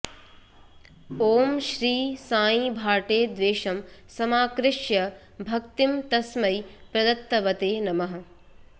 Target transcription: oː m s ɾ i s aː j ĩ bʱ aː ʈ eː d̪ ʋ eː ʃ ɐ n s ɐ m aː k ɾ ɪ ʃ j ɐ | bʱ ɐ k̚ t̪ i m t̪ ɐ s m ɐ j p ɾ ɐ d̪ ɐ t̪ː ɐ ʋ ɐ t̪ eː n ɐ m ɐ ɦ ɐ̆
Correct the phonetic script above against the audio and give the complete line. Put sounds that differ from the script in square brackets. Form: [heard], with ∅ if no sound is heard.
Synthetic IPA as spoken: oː m [ʃ] ɾ [iː] s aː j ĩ bʱ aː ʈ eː d̪ ʋ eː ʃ ɐ [m] s ɐ m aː k ɾ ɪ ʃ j ɐ | bʱ ɐ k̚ t̪ i m t̪ ɐ s m ɐ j p ɾ ɐ d̪ ɐ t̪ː ɐ ʋ ɐ t̪ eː n ɐ m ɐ ɦ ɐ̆